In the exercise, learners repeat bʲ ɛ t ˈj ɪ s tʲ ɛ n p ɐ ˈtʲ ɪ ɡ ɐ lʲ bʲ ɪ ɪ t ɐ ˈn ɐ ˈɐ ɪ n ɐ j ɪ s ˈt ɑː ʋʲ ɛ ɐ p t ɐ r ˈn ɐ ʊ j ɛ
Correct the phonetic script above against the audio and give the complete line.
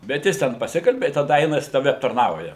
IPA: bʲ ɛ t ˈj ɪ s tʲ ɛ n p ɐ ˈsʲ ɪ k ɐ lʲ bʲ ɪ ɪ t ɐ ˈd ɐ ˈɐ ɪ n ɐ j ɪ s ˈt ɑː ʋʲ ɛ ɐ p t ɐ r ˈn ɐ ʊ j ɛ

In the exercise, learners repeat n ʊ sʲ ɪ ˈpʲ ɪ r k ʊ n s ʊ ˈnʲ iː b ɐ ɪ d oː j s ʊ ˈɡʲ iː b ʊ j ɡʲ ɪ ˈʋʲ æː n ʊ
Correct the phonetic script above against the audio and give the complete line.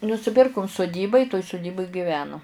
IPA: n ʊ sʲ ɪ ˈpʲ ɪ r k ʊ m s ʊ ˈdʲ iː b ɐ ɪ t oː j s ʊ ˈdʲ iː b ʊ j ɡʲ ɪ ˈʋʲ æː n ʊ

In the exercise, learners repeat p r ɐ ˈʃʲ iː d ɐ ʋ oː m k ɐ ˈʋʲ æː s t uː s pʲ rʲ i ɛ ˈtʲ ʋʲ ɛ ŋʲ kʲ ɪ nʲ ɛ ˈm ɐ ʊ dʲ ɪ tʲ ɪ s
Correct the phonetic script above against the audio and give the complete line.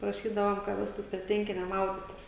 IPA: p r ɐ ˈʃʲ iː d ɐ ʋ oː m k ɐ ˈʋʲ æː s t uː s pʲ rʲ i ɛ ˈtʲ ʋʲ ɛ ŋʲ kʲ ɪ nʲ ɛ ˈm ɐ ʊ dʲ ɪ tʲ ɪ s

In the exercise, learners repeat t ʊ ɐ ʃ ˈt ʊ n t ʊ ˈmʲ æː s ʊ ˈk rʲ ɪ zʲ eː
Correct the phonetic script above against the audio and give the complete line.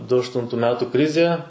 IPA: d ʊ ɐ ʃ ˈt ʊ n t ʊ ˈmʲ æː t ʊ ˈk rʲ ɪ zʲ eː

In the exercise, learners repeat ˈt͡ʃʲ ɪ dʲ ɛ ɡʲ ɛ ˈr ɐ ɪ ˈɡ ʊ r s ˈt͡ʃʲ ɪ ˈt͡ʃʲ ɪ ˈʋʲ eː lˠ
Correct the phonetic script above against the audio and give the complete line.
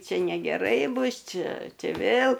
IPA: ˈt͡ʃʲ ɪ nʲ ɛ ɡʲ ɛ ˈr ɐ ɪ ˈb ʊ s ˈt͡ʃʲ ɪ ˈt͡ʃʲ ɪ ˈʋʲ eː lˠ

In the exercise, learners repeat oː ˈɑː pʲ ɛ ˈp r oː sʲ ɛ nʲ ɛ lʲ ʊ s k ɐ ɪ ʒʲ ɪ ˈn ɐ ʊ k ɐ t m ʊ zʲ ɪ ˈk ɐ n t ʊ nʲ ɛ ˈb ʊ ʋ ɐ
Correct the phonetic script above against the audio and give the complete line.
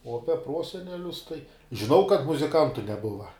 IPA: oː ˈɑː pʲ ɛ ˈp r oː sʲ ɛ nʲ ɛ lʲ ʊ s t ɐ ɪ ʒʲ ɪ ˈn ɐ ʊ k ɐ t m ʊ zʲ ɪ ˈk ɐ n t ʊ nʲ ɛ ˈb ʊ ʋ ɐ

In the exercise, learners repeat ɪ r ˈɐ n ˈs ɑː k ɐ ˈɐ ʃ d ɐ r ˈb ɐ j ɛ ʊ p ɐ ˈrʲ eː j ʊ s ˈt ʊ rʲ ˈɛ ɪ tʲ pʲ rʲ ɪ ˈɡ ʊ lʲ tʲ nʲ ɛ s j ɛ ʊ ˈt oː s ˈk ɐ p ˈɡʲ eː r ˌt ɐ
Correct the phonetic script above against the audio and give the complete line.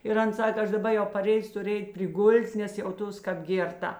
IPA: ɪ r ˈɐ n ˈs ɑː k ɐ ˈɐ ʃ d ɐ ˈb ɐ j ɛ ʊ p ɐ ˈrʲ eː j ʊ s ˈt ʊ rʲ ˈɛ ɪ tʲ pʲ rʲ ɪ ˈɡ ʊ lʲ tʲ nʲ ɛ s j ɛ ʊ ˈt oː s ˈk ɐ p ˈɡʲ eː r ˌt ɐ

